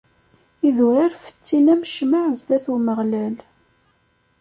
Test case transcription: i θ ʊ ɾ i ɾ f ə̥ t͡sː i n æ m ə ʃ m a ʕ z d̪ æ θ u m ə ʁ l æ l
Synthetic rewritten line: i ð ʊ ɾ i ɾ f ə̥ t͡sː i n æ m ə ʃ m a ʕ z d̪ æ θ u m ə ʁ l æ l